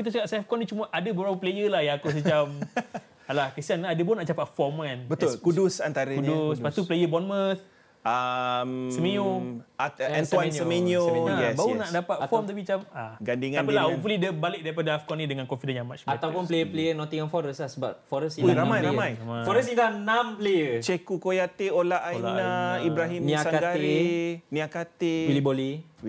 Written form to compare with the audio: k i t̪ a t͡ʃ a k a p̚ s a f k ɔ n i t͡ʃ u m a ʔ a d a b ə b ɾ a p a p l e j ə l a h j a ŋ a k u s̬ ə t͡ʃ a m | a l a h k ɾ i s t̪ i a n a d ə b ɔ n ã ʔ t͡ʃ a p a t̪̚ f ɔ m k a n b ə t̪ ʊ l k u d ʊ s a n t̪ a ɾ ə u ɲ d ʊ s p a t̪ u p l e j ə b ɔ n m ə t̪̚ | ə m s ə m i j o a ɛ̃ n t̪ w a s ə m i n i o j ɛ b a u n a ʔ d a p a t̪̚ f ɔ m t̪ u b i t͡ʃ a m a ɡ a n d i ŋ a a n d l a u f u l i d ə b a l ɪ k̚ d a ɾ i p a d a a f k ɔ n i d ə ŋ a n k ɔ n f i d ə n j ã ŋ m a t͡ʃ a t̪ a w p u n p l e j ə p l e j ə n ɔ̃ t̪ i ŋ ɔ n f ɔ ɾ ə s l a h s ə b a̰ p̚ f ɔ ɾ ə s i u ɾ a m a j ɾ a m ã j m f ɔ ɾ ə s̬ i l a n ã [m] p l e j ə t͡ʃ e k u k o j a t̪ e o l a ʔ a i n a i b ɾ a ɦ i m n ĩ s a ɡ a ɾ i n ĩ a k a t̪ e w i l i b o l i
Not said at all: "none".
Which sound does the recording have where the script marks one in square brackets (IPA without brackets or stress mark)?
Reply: m